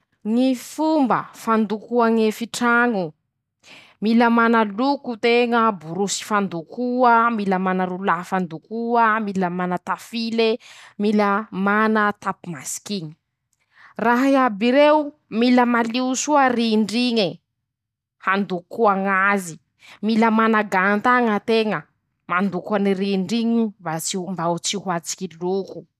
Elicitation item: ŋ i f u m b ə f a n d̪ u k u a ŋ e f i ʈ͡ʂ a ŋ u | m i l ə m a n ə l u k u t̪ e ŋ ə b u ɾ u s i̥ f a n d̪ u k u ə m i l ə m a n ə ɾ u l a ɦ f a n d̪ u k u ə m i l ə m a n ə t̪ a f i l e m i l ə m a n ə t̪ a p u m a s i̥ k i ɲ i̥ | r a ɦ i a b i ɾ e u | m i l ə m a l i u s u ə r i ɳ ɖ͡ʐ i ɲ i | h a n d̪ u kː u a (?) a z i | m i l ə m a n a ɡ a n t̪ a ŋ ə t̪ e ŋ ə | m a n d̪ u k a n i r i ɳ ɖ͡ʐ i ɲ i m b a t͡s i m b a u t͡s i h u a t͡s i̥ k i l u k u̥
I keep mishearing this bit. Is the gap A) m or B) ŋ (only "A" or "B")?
B